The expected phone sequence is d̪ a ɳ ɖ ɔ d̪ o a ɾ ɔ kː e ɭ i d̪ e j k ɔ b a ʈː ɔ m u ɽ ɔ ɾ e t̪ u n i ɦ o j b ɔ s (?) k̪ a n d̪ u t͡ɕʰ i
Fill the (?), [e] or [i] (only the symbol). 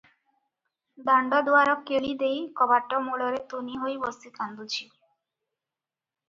i